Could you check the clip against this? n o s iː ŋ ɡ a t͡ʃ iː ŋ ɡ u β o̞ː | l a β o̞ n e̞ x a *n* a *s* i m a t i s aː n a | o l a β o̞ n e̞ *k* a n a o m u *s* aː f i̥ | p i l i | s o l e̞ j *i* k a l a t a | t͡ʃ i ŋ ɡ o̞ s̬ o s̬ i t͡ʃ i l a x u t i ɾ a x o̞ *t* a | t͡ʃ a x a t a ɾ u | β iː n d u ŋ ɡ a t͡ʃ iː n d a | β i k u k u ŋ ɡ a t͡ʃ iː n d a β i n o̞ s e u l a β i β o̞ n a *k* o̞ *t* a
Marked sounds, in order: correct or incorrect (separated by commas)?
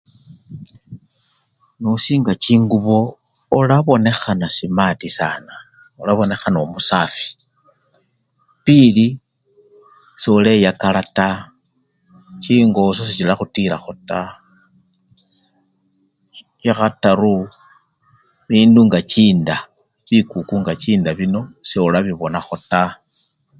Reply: correct, correct, incorrect, correct, incorrect, correct, incorrect, correct